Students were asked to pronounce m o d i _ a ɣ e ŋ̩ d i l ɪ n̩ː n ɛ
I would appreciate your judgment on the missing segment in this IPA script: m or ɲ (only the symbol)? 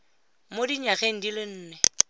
ɲ